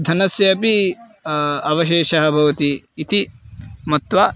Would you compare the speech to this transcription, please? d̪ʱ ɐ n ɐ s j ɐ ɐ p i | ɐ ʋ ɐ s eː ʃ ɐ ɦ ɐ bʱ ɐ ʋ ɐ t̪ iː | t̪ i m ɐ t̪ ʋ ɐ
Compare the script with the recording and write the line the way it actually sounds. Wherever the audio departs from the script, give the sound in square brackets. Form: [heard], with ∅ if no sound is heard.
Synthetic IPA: d̪ʱ ɐ n ɐ s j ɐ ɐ p i | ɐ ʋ ɐ [ʃ] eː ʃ ɐ ɦ ɐ bʱ ɐ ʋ ɐ t̪ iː | t̪ i m ɐ t̪ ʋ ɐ